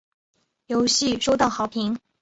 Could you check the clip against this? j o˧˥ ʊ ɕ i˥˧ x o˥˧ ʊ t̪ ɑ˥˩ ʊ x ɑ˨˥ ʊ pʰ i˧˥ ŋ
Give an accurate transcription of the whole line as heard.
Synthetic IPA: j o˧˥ ʊ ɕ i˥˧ ʂ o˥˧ ʊ t̪ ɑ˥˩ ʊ x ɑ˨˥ ʊ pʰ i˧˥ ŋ

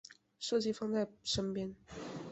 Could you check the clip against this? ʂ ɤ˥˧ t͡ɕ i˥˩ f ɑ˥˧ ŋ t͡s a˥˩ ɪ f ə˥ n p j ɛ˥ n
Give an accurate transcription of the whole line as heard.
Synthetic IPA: ʂ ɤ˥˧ t͡ɕ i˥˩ f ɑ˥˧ ŋ t͡s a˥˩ ɪ ʂ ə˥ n p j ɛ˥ n

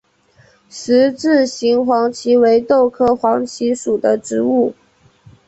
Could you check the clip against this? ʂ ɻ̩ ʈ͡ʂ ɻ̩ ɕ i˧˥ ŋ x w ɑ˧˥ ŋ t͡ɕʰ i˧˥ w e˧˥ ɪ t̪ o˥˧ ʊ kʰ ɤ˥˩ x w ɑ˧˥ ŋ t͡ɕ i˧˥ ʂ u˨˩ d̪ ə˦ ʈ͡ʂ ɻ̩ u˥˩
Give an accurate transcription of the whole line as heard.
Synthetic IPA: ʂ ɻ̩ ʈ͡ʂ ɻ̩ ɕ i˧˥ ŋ x w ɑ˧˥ ŋ t͡ɕʰ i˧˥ w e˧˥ ɪ t̪ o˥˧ ʊ kʰ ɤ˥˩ x w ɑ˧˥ ŋ t͡ɕʰ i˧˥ ʂ u˨˩ d̪ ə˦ ʈ͡ʂ ɻ̩ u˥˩

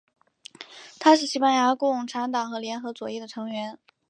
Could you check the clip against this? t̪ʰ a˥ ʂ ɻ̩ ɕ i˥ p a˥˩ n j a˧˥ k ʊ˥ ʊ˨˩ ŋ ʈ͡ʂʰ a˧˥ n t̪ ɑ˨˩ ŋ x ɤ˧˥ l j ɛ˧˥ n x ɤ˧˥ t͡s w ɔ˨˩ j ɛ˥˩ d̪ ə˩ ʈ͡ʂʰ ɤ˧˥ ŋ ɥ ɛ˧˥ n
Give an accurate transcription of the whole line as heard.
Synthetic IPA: t̪ʰ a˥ ʂ ɻ̩ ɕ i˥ p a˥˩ n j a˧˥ k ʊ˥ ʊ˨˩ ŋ ʈ͡ʂʰ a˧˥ n t̪ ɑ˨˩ ŋ x ɤ˧˥ l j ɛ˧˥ n x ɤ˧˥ t͡s w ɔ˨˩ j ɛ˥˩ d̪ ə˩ ʈ͡ʂʰ ɤ˧˥ ŋ ɥ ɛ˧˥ n

